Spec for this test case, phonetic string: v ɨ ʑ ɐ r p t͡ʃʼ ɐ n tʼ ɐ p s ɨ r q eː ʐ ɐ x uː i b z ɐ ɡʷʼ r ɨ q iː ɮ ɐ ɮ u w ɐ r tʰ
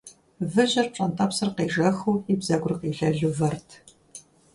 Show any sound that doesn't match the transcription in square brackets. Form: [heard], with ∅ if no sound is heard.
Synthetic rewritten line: v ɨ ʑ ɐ r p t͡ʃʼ ɐ n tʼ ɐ p s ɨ r q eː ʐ ɐ x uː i b z ɐ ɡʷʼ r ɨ q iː ɮ ɐ ɮ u [v] ɐ r tʰ